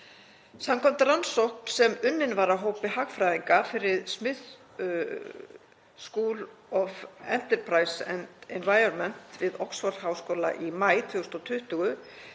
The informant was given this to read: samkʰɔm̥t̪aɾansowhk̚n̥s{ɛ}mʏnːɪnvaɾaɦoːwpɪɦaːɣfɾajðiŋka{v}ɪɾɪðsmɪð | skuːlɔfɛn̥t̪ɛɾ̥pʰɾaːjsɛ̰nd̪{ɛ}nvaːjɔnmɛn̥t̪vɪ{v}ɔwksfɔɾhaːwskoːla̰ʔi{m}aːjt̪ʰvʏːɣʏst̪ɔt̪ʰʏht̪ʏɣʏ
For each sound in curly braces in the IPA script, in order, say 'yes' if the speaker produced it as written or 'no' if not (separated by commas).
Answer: yes, no, yes, no, yes